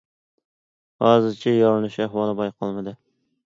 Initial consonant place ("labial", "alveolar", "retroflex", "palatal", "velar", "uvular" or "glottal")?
glottal